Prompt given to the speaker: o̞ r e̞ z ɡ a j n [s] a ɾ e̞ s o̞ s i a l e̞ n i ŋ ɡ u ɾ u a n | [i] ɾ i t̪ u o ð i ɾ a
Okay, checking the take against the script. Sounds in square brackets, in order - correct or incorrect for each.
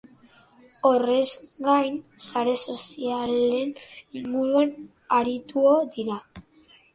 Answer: correct, incorrect: a

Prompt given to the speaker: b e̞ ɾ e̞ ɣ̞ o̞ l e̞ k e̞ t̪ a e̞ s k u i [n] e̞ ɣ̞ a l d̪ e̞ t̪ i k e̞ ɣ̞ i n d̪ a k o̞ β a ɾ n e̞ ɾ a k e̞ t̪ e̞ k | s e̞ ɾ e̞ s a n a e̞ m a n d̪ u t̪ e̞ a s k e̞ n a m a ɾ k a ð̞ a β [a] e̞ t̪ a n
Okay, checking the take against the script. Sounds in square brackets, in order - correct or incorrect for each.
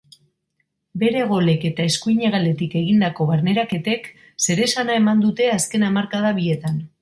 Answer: incorrect: ɲ, incorrect: i

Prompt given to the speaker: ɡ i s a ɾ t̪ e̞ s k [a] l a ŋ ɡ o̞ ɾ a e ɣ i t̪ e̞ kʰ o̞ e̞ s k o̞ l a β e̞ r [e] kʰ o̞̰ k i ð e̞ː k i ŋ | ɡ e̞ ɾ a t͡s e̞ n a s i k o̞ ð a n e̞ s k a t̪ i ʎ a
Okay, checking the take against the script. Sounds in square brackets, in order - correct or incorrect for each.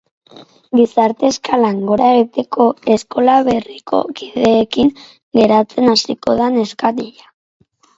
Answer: correct, incorrect: i

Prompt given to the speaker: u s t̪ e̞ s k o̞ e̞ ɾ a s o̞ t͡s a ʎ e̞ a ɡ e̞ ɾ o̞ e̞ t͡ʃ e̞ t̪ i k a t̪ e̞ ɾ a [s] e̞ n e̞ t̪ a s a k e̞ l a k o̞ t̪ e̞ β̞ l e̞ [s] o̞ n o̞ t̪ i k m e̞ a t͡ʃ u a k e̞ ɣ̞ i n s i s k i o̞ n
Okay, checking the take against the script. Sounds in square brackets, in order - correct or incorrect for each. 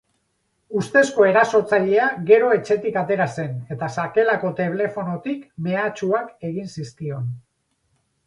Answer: correct, incorrect: f

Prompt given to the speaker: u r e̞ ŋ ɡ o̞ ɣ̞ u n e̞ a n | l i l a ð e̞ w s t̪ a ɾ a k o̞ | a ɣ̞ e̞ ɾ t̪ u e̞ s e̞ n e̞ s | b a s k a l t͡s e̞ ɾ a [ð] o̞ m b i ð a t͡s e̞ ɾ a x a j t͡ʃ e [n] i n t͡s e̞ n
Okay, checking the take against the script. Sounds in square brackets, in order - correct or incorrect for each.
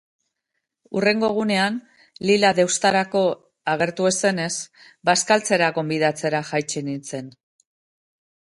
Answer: incorrect: ɣ, correct

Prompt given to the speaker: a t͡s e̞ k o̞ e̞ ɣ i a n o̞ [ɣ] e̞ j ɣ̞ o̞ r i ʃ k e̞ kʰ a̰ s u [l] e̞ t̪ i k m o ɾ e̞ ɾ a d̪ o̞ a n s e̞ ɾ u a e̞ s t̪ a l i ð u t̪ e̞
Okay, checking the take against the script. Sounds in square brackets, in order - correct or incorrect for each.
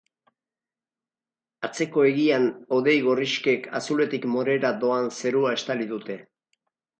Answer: incorrect: ð, correct

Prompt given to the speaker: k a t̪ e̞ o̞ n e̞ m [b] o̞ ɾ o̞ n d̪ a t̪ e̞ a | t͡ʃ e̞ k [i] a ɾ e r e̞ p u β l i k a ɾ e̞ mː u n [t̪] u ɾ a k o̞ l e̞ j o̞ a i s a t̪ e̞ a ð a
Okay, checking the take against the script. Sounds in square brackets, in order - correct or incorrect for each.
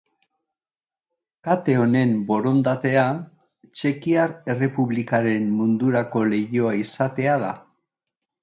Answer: correct, correct, incorrect: d̪

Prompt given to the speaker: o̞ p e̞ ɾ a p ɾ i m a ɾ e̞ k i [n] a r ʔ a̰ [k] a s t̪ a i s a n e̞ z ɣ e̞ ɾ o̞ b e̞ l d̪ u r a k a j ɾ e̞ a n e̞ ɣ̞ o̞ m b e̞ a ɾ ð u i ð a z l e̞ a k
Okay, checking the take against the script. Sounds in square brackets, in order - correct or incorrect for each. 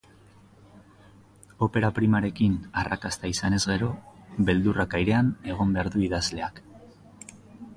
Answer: correct, correct

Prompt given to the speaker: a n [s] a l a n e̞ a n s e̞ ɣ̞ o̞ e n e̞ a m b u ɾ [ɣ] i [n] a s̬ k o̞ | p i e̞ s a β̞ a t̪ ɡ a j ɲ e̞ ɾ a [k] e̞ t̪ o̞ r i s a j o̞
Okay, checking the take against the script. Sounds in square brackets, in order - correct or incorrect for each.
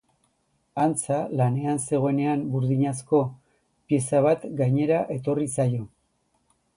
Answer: incorrect: t͡s, incorrect: ð, incorrect: ɲ, incorrect: ʔ

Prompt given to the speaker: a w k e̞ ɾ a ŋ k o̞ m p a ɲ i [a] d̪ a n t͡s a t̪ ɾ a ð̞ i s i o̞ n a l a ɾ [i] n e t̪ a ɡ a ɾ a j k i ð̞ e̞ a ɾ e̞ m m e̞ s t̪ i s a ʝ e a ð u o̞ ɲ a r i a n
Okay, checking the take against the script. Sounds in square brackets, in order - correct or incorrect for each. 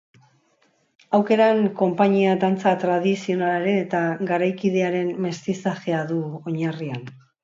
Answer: correct, incorrect: e

